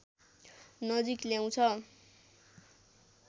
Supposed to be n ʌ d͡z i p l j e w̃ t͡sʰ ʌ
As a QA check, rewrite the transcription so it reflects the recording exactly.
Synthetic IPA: n ʌ d͡z i k l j a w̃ t͡sʰ ʌ